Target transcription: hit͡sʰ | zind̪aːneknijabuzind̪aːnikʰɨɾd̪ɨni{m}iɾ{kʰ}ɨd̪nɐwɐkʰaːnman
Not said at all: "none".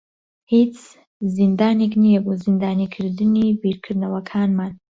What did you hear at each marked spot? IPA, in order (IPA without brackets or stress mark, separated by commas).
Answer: b, kʰ